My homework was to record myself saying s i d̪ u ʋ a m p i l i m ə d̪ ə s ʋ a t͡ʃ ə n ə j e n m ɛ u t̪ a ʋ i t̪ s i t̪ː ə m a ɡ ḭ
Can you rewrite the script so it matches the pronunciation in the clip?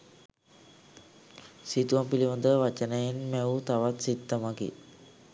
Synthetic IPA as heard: s i t̪ u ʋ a m p i l i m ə d̪ ə ʋ a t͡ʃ ə n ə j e n m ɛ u t̪ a ʋ a t̪ s i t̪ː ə m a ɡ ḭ

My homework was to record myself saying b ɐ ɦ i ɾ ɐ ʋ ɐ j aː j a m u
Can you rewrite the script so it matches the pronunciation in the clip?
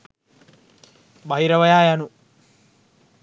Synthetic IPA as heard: b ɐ ɦ i ɾ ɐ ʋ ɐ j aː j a n u

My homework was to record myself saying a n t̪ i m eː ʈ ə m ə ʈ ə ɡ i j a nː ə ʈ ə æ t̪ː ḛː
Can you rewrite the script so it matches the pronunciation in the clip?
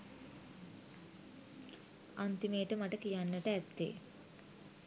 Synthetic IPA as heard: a n t̪ i m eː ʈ ə m a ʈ ə k i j a nː ə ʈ ə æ t̪ː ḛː

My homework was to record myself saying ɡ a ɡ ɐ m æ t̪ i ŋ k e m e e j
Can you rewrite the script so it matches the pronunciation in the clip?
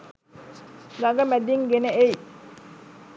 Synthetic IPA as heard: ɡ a ɡ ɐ m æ d̪ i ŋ ɡ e n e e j

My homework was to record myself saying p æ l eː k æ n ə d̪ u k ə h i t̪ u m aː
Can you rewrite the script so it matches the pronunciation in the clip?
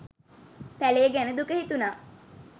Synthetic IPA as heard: p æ l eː ɡ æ n ə d̪ u k ə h i t̪ u n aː

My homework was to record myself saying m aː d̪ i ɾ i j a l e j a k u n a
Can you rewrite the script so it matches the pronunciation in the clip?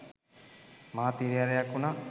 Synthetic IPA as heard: m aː t̪ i ɾ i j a ɾ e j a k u n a

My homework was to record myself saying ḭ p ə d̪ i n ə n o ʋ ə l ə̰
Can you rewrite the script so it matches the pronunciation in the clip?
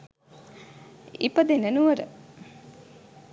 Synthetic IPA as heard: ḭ p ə d̪ e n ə n u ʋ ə ɾ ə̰

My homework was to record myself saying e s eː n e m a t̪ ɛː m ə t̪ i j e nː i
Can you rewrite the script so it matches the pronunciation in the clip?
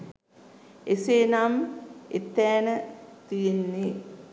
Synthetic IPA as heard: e s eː n a m e t̪ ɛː n ə t̪ i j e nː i

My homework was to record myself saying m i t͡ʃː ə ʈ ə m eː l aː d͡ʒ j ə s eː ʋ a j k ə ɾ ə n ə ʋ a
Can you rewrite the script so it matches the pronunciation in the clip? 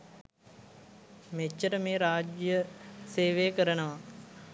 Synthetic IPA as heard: m e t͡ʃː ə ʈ ə m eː ɾ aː d͡ʒ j ə s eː ʋ e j k ə ɾ ə n ə ʋ a

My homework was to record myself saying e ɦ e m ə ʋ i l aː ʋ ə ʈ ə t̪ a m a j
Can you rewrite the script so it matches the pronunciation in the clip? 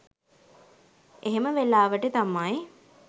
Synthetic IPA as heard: e ɦ e m ə ʋ e l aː ʋ ə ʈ ə t̪ a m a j

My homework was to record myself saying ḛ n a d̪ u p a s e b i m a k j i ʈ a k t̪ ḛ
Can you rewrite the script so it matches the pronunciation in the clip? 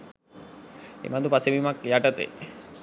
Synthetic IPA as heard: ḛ m a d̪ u p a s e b i m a k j a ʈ a t̪ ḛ

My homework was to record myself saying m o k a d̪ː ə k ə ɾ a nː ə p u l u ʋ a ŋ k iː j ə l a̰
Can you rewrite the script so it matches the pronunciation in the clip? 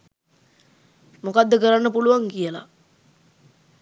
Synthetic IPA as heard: m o k a d̪ː ə k ə ɾ a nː ə p u l u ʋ a ŋ k i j ə l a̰

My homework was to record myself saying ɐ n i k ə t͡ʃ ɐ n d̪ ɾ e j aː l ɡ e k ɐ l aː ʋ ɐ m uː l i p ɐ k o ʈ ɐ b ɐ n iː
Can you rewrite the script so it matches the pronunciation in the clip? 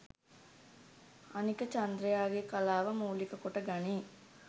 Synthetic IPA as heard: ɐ n i k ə t͡ʃ ɐ n d̪ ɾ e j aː ɡ e k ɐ l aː ʋ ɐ m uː l i k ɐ k o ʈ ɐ ɡ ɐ n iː

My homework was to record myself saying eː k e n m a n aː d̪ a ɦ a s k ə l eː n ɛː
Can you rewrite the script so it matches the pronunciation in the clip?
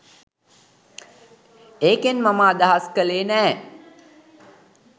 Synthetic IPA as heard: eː k e n m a m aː d̪ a ɦ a s k ə l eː n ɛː

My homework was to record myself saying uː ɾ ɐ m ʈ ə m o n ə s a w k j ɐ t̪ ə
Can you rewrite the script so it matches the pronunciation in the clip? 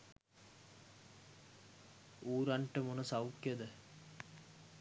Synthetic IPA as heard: uː ɾ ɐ ɳ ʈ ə m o n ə s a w k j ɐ d̪ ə

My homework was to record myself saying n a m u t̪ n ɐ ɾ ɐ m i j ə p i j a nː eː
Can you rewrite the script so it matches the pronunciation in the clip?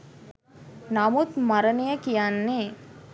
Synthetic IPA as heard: n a m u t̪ m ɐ ɾ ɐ n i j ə k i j a nː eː

